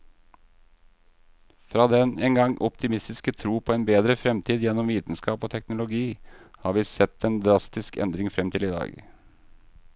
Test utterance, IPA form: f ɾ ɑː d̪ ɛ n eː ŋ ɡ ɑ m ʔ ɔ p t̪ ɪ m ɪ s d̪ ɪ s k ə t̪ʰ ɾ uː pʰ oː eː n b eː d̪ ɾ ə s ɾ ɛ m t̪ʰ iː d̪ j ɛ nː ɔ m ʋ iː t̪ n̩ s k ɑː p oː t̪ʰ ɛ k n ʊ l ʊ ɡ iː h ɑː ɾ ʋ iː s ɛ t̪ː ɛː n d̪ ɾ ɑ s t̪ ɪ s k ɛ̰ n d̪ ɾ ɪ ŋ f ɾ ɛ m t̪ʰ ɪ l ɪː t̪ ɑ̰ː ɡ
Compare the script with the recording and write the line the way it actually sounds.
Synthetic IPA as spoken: f ɾ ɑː d̪ ɛ n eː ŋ ɡ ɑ ŋ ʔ ɔ p t̪ ɪ m ɪ s t̪ ɪ s k ə t̪ʰ ɾ uː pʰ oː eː n b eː d̪ ɾ ə f ɾ ɛ m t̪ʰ iː d̪ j ɛ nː ɔ m ʋ iː t̪ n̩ s k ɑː p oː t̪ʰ ɛ k n ʊ l ʊ ɡ iː h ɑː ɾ ʋ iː s ɛ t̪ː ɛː n d̪ ɾ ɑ s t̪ ɪ s k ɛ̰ n d̪ ɾ ɪ ŋ f ɾ ɛ m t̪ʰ ɪ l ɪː d̪ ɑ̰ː ɡ